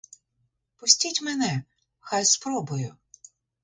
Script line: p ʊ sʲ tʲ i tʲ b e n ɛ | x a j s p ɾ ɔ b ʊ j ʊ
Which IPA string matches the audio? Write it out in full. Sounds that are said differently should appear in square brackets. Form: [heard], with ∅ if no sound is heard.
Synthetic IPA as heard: p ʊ sʲ tʲ i tʲ [m] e n ɛ | x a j s p ɾ ɔ b ʊ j ʊ